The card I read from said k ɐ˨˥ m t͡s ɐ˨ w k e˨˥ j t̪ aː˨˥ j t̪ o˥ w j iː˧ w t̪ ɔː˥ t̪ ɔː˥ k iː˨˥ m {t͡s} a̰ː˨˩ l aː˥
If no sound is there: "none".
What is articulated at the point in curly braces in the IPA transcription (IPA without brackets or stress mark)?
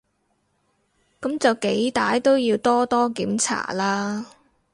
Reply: t͡sʰ